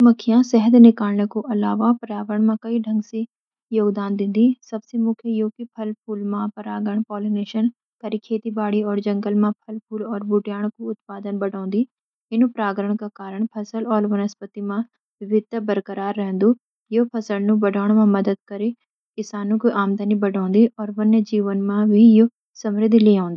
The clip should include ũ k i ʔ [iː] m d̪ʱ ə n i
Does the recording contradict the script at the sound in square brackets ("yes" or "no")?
yes